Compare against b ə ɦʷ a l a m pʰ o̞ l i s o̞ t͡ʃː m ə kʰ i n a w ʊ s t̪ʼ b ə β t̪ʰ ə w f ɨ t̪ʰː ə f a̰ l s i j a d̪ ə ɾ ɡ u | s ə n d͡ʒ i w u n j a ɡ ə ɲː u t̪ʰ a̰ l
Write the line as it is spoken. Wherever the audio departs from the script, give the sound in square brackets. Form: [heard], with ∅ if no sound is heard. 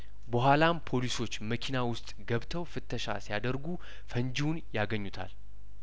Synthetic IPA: b ə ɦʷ a l a m pʰ o̞ l i s o̞ t͡ʃː m ə kʰ i n a w ʊ s t̪ʼ [ɡ] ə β t̪ʰ ə w f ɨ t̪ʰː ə [ʃ] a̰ [∅] s i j a d̪ ə ɾ ɡ u | [f] ə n d͡ʒ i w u n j a ɡ ə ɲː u t̪ʰ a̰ l